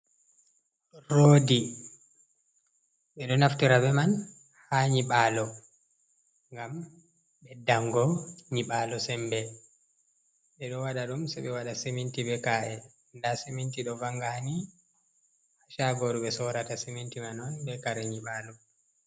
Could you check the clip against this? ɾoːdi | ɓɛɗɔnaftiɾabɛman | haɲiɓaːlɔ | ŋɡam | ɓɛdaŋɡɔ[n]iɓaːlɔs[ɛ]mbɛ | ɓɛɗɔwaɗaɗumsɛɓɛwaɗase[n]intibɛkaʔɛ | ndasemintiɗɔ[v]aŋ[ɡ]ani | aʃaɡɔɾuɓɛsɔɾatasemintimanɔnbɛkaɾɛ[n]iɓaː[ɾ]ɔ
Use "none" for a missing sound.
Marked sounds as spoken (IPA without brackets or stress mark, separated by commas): ɲ, ɛ, m, v, ɡ, ɲ, l